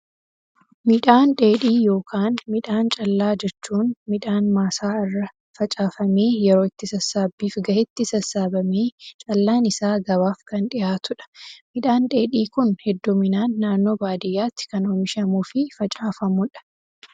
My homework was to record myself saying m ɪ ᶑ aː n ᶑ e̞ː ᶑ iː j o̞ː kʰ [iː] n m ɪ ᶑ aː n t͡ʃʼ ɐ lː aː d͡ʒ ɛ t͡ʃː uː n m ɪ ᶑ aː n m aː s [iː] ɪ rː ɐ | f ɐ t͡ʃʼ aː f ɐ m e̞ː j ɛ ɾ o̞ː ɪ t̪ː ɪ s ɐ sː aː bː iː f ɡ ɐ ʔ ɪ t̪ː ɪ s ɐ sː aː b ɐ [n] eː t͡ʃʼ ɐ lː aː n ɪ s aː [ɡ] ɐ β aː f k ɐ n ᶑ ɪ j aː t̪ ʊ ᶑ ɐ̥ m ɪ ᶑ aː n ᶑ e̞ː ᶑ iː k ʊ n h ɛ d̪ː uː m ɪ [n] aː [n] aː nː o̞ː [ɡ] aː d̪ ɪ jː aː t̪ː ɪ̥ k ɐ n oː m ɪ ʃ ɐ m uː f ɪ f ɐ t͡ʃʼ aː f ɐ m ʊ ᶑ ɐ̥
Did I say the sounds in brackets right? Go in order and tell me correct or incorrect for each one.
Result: incorrect: aː, incorrect: aː, incorrect: m, correct, correct, incorrect: nː, incorrect: b

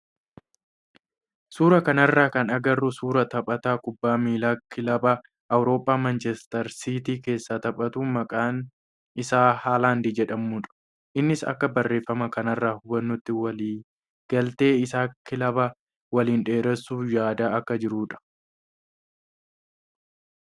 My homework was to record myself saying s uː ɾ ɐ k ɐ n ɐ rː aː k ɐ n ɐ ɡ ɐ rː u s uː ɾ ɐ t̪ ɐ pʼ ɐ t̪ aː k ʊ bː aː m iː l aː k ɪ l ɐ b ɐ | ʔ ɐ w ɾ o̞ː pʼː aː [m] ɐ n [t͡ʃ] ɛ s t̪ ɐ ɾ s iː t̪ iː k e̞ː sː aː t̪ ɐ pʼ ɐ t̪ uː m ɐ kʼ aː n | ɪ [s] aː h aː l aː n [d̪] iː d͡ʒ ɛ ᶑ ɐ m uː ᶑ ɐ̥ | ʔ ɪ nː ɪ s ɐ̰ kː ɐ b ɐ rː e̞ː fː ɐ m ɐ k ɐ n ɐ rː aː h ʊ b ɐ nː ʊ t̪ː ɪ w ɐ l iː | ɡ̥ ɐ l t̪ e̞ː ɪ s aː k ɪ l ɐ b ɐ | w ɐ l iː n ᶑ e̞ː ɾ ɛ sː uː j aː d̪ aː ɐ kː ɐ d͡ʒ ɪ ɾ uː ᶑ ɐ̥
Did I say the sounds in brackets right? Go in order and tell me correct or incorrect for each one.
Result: correct, correct, correct, correct

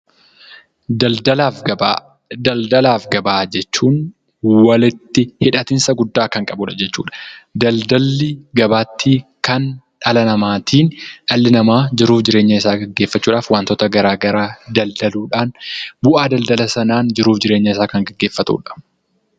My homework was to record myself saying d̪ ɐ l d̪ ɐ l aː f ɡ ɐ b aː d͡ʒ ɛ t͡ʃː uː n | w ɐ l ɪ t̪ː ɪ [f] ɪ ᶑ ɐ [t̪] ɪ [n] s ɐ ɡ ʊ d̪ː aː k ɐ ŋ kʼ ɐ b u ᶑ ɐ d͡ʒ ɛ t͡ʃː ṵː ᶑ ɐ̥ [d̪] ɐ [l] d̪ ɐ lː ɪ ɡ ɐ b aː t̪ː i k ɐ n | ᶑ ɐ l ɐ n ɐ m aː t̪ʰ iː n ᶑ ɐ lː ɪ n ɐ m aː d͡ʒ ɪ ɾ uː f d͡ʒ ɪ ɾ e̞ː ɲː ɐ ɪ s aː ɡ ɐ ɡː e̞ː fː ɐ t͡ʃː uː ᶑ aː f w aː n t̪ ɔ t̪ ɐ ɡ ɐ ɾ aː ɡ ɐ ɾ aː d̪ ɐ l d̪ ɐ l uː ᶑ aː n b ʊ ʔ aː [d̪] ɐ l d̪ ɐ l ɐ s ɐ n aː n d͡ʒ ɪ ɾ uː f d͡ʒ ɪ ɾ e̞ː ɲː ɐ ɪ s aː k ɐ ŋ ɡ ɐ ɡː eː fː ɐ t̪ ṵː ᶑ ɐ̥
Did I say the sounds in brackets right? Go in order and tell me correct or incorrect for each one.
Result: incorrect: h, correct, correct, correct, correct, correct

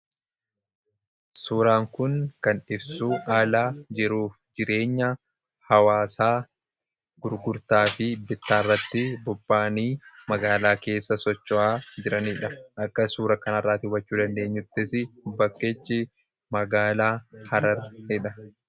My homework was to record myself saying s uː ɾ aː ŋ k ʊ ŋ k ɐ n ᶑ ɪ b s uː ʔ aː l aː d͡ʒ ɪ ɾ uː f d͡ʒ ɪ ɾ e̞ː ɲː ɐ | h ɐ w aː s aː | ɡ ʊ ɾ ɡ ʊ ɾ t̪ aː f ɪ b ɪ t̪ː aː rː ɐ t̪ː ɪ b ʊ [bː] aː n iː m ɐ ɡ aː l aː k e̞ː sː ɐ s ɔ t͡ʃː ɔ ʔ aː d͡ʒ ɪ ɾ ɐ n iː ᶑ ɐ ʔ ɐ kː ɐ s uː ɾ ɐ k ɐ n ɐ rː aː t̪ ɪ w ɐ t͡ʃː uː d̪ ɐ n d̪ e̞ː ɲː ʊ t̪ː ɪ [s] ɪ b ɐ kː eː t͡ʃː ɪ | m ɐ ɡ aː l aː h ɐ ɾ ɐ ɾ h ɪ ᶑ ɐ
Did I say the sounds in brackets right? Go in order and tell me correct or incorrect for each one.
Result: correct, correct

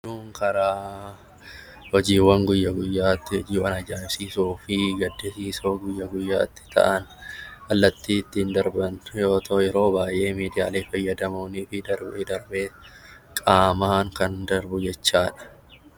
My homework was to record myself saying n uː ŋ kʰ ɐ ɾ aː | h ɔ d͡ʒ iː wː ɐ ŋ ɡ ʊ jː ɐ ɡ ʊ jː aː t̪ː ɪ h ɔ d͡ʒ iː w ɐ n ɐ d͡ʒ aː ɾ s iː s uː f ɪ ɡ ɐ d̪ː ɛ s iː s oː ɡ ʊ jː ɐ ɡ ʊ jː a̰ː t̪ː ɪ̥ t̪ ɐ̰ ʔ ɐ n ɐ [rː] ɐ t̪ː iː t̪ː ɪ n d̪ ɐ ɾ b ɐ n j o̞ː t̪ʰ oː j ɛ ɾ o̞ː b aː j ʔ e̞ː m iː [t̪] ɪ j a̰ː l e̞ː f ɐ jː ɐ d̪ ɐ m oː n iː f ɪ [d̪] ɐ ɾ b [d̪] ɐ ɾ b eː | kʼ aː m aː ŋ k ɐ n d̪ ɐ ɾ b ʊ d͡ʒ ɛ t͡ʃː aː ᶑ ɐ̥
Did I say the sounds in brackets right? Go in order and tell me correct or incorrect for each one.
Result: incorrect: lː, incorrect: d̪, correct, correct

